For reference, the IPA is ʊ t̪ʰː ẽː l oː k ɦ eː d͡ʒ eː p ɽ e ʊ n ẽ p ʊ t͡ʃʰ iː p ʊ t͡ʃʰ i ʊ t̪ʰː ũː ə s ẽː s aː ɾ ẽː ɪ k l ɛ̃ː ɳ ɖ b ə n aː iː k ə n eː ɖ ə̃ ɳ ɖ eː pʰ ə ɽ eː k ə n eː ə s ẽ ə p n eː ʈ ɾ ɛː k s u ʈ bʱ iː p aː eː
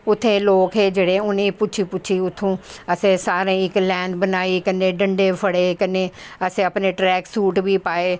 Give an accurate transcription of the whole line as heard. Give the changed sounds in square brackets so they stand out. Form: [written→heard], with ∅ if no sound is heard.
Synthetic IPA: ʊ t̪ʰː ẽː l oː k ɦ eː d͡ʒ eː [p→∅] ɽ e ʊ n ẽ p ʊ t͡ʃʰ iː p ʊ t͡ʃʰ i ʊ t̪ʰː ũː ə s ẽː s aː ɾ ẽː ɪ k l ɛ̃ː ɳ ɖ b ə n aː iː k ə n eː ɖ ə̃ ɳ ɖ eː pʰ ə ɽ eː k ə n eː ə s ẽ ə p n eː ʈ ɾ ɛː k s [u→uː] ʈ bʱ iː p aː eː